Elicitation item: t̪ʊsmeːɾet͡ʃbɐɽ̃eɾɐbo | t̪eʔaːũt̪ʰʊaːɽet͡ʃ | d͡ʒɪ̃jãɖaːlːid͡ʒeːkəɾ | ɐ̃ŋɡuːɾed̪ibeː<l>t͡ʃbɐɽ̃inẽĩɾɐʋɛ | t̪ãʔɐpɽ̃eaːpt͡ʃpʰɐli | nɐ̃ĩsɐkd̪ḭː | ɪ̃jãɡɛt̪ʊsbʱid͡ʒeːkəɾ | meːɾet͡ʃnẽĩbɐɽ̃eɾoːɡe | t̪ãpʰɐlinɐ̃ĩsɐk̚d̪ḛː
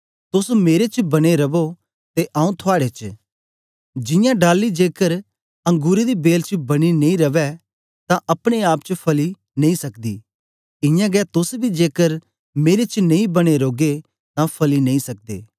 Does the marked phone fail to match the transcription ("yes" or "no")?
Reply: no